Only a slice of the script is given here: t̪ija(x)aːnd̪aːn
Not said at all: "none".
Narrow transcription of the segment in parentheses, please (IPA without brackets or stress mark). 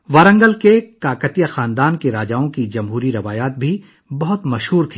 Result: x